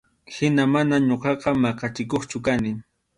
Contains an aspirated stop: no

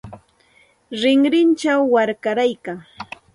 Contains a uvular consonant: no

